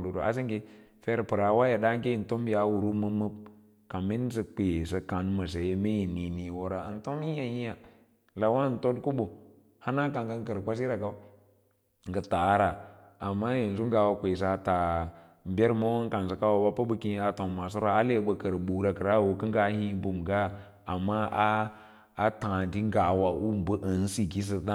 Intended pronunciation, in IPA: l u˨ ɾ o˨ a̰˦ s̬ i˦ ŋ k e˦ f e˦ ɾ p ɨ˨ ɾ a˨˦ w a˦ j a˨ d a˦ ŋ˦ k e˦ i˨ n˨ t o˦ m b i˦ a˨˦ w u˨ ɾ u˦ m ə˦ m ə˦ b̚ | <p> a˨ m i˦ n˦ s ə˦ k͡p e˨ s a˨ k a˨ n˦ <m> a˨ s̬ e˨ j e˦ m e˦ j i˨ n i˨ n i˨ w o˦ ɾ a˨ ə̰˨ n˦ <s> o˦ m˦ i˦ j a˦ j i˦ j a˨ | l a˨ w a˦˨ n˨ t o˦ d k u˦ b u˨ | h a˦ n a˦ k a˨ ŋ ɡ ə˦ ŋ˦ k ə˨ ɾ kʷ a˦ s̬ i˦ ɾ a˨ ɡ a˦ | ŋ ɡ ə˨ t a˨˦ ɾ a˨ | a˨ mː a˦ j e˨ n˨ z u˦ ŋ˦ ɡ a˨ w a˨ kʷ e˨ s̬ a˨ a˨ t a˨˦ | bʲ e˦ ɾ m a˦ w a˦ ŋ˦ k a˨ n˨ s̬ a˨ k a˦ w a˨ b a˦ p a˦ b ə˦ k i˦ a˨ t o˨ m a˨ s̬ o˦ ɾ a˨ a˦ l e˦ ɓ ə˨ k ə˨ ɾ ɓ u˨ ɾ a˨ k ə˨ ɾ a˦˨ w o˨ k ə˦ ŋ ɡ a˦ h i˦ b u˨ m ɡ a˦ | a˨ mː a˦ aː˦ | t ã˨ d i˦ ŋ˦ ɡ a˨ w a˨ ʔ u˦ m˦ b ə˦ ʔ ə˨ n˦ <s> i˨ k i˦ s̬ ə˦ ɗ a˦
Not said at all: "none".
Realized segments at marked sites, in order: k, m, t, s

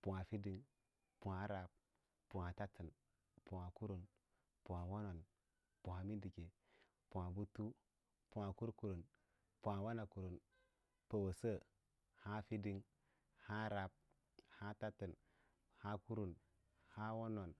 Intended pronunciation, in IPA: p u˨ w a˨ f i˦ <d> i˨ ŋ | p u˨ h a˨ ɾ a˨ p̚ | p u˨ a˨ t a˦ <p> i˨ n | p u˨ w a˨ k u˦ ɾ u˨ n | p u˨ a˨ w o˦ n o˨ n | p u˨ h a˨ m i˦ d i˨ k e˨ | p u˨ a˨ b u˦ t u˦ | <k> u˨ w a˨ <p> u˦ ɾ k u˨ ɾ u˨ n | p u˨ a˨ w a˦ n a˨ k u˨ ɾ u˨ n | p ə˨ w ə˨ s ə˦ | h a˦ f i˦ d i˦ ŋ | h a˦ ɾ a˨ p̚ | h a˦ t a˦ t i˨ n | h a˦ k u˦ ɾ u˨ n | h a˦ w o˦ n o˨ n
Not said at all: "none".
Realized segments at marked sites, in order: d, t, p, k

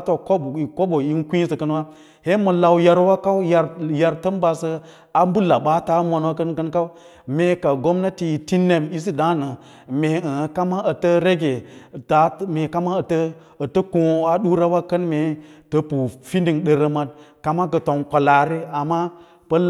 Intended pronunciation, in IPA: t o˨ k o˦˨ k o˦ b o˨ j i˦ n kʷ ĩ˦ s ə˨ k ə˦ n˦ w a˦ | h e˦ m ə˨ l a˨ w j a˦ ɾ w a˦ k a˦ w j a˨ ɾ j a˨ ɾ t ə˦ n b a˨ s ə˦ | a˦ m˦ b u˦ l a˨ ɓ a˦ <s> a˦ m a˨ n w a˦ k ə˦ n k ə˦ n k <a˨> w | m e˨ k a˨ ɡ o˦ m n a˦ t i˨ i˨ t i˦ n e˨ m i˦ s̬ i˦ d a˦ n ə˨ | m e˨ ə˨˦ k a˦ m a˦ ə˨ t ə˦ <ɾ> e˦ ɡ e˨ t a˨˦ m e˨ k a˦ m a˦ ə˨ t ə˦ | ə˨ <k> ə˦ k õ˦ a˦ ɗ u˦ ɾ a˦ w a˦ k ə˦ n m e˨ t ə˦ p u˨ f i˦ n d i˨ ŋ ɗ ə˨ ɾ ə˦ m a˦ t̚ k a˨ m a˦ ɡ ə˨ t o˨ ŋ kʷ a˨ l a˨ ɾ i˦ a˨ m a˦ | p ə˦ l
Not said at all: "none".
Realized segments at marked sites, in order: t, a˦, ɾ, t

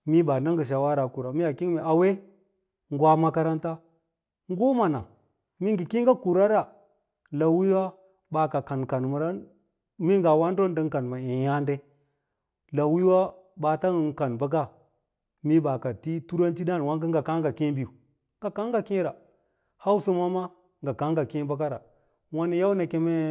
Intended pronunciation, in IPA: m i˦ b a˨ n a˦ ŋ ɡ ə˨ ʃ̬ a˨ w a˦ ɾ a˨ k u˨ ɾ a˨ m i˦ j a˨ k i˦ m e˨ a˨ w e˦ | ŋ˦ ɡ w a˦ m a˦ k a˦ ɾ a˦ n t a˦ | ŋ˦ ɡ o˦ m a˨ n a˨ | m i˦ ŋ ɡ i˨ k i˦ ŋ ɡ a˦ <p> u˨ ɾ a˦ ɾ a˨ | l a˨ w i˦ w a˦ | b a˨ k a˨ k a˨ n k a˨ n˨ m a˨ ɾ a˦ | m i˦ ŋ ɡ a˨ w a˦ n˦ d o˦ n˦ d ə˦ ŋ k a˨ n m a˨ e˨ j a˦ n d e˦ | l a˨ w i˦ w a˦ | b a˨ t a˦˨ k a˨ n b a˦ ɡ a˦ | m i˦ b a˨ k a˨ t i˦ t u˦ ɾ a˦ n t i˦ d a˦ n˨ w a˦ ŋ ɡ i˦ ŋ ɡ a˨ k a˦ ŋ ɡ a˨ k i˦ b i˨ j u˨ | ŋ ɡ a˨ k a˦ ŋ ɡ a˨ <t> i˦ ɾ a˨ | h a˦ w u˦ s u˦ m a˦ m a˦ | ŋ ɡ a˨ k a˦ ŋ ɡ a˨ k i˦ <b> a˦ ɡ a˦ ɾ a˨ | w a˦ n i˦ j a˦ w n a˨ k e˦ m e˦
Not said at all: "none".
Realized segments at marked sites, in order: k, k, b

